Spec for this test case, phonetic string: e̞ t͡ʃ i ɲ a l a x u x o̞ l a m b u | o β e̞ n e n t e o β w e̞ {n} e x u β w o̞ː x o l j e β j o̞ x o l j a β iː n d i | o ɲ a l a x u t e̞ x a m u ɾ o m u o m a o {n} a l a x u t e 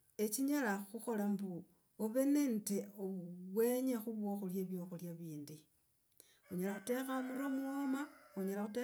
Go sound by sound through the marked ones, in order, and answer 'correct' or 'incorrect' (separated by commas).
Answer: incorrect, incorrect